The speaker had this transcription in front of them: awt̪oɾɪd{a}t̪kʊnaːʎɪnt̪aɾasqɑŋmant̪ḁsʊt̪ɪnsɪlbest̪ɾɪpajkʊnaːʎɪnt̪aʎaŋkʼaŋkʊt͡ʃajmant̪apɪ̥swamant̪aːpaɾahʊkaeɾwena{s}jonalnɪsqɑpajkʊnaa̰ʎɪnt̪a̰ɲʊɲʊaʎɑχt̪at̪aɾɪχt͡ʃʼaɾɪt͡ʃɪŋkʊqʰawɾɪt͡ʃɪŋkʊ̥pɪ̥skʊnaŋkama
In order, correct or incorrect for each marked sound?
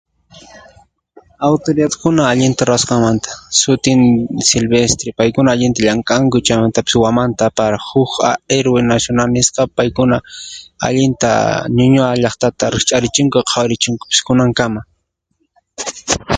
correct, correct

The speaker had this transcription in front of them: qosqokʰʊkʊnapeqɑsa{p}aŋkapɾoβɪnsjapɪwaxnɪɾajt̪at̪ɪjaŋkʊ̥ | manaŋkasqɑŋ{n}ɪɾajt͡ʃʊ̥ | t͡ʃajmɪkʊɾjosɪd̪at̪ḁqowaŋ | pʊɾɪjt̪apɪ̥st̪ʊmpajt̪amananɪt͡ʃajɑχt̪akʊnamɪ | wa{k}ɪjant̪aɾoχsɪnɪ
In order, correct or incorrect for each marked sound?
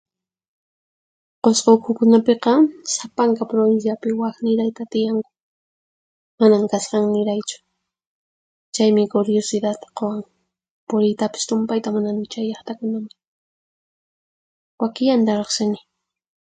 correct, correct, correct

